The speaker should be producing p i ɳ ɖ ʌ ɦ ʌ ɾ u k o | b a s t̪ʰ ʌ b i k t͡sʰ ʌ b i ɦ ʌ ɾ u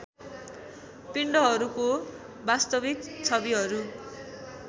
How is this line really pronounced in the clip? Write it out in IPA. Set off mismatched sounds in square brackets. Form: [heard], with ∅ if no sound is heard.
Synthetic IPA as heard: p i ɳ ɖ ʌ ɦ ʌ ɾ u k o | b a s [t̪] ʌ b i k t͡sʰ ʌ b i ɦ ʌ ɾ u